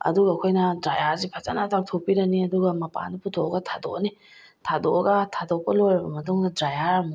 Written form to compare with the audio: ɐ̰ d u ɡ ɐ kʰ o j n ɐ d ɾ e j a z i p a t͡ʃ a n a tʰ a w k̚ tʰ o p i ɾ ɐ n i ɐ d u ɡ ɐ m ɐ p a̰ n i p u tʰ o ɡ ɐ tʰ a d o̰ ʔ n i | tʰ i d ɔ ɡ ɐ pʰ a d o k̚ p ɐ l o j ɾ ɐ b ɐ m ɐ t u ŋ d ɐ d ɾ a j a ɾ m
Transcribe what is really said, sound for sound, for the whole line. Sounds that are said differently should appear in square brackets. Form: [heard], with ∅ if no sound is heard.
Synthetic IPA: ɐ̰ d u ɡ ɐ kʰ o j n ɐ d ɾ [a] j a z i [pʰ] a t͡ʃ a n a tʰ a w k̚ tʰ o p i ɾ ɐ n i ɐ d u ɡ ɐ m ɐ p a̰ n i p u tʰ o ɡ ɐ tʰ a d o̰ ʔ n i | tʰ [a] d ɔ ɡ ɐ [tʰ] a d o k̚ p ɐ l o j ɾ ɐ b ɐ m ɐ t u ŋ d ɐ d ɾ a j a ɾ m